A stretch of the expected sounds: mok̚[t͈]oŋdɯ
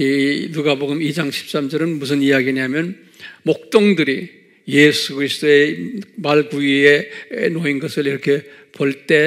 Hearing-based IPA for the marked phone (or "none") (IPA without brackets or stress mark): t͈